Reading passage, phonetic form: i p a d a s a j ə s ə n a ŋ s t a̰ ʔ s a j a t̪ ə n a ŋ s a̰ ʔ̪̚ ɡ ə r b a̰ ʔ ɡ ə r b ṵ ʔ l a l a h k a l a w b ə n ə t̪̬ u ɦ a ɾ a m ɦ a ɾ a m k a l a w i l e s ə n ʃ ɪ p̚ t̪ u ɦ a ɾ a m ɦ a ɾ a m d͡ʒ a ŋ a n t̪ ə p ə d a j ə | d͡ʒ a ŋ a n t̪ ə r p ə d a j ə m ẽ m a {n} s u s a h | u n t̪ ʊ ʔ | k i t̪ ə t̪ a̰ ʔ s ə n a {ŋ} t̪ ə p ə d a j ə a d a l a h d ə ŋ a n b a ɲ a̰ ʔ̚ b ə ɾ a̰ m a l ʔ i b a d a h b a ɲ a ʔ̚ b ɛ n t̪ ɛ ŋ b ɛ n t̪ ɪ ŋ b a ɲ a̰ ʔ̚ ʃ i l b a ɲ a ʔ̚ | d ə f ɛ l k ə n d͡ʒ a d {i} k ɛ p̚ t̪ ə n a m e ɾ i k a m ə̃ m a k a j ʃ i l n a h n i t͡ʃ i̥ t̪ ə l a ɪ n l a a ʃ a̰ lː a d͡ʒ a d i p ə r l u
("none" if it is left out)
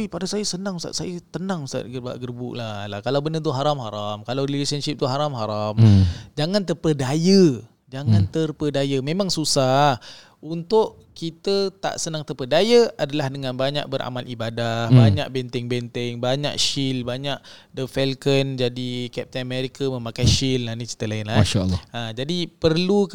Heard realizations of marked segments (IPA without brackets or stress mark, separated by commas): ŋ, ŋ, i